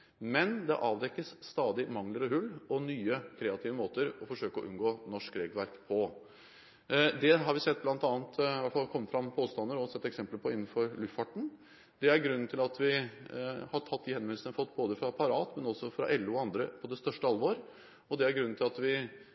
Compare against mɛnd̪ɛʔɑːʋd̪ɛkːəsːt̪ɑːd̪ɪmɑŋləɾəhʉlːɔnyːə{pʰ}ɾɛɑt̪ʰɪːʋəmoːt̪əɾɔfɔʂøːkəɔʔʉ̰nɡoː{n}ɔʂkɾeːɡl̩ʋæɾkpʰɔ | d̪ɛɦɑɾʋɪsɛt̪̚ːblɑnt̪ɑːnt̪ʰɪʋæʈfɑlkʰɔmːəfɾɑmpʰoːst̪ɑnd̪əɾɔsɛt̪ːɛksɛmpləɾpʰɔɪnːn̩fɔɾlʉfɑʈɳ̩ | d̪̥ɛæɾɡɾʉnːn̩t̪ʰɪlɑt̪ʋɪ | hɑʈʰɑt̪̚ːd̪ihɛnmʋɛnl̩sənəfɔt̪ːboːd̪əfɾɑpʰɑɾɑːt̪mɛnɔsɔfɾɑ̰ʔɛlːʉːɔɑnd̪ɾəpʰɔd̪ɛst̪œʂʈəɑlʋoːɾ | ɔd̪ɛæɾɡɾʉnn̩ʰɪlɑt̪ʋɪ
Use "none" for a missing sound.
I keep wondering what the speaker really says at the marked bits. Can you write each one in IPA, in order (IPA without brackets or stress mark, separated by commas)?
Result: kʰ, n